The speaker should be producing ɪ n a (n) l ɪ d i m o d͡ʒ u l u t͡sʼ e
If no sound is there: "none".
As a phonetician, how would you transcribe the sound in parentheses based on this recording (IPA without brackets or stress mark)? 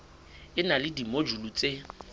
none